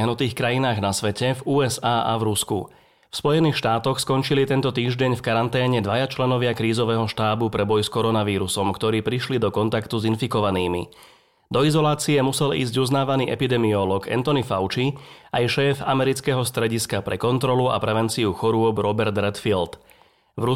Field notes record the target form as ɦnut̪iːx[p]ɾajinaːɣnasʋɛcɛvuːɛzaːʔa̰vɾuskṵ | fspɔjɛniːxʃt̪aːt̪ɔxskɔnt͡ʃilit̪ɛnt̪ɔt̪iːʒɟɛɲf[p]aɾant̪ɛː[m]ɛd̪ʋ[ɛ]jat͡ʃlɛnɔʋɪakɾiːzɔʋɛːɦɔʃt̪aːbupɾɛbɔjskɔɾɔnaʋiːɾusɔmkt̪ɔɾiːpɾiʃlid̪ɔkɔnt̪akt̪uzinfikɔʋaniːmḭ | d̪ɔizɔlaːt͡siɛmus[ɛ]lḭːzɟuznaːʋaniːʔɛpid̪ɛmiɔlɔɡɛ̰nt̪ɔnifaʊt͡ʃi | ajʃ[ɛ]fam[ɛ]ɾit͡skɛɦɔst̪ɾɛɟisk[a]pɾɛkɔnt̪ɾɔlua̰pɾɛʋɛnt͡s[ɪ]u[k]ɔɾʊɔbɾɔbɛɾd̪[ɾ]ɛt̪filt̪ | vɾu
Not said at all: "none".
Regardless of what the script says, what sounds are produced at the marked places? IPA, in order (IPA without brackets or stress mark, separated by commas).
k, k, ɲ, a, ɛ, ɛː, ɛ, a, i, x, ɾ